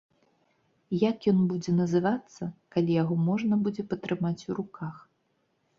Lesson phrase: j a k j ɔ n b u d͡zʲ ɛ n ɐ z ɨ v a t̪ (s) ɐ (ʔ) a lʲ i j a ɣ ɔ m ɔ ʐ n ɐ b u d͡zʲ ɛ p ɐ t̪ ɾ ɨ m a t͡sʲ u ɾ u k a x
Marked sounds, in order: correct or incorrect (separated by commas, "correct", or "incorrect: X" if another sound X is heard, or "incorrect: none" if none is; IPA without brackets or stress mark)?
incorrect: sː, incorrect: k